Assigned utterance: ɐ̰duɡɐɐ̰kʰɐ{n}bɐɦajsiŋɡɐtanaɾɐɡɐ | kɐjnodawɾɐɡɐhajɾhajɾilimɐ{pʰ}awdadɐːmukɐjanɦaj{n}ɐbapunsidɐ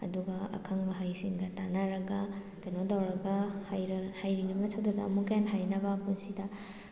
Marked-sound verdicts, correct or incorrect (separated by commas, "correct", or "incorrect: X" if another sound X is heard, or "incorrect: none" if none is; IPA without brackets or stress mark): incorrect: ŋ, incorrect: tʰ, correct